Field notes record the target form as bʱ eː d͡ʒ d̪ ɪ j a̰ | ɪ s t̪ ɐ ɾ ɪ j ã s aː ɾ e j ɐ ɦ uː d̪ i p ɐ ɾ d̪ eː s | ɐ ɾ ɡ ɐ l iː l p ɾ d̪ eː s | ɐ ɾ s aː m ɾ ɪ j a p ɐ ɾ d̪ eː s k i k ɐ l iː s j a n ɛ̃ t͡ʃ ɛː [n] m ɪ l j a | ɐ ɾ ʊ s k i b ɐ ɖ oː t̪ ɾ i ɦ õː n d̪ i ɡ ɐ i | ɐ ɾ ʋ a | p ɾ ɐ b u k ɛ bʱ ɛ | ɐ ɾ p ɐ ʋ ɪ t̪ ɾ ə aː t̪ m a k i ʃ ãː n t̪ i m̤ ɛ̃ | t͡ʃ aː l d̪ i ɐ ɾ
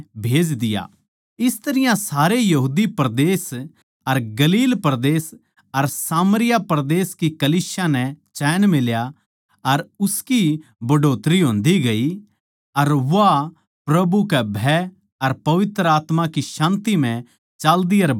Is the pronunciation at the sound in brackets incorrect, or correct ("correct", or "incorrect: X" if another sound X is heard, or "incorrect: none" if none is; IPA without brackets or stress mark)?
correct